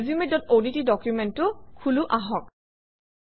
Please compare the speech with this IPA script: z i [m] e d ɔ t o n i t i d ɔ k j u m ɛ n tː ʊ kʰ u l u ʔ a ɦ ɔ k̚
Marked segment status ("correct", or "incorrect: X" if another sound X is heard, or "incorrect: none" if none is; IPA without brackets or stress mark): correct